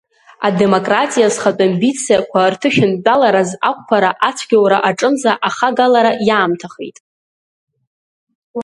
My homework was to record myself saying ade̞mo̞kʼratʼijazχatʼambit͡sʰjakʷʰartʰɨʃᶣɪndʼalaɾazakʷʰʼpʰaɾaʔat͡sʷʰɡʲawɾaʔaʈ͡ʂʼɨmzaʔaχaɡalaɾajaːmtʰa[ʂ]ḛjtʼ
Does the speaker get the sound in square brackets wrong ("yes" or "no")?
yes